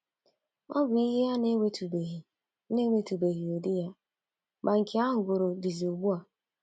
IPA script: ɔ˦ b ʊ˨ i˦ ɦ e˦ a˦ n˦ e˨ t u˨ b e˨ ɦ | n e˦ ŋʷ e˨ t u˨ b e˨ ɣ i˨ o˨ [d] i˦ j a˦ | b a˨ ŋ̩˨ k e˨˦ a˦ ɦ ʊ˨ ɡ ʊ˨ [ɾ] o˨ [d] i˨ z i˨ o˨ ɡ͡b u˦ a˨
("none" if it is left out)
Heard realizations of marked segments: d, ɾ, d

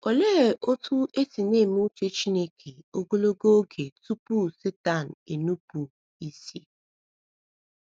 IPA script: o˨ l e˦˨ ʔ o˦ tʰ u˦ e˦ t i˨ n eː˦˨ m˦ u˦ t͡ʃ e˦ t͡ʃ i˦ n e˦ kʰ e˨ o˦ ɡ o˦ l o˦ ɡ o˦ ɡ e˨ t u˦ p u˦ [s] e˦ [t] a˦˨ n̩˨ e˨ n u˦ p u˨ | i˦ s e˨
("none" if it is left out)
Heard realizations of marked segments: s, t

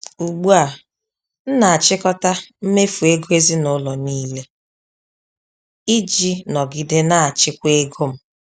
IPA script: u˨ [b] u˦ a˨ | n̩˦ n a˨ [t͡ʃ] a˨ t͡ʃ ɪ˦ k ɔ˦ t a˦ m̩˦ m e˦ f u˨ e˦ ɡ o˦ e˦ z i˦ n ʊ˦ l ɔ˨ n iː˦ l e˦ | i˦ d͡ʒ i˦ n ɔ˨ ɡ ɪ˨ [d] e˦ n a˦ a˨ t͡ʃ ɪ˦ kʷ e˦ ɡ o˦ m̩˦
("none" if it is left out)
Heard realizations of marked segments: ɡ͡b, none, d

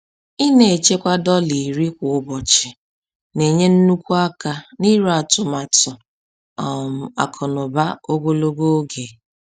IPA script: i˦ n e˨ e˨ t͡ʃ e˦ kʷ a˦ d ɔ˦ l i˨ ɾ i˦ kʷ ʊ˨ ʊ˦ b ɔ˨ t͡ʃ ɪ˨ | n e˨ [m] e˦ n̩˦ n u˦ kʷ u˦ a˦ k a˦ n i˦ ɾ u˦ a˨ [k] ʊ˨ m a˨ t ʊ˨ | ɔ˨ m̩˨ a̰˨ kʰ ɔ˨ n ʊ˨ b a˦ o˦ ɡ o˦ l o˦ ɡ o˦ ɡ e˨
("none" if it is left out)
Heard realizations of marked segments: ɲ, t

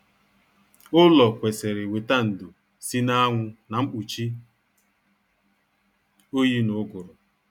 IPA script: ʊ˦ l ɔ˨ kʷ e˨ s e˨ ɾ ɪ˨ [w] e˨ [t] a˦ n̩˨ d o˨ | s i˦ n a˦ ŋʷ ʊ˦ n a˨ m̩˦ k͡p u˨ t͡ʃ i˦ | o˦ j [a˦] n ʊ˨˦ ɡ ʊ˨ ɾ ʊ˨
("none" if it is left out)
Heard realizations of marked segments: w, t, i˦

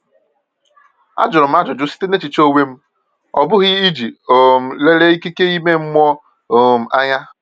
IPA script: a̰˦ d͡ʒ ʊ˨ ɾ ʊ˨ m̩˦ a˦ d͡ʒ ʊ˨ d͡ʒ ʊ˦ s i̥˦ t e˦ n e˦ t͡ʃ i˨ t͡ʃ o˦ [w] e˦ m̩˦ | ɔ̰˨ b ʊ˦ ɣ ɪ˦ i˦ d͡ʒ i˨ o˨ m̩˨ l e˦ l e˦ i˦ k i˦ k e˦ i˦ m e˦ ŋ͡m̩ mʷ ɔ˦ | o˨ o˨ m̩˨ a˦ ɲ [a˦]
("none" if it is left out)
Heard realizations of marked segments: w, a˦

